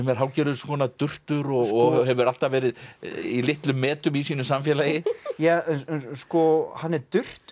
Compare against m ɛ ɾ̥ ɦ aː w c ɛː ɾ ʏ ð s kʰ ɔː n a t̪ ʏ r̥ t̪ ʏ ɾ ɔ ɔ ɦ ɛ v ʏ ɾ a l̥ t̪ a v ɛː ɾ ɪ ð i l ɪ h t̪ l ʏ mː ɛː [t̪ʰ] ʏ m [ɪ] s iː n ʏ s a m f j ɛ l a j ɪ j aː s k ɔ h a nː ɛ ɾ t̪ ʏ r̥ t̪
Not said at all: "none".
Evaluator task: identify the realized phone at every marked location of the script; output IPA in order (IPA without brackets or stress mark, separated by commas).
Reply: t̪, i